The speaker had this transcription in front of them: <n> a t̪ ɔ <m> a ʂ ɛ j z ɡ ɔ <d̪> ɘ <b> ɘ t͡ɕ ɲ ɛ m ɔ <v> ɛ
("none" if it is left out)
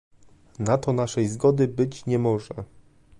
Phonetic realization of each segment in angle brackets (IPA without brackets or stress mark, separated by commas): n, n, d̪, b, ʐ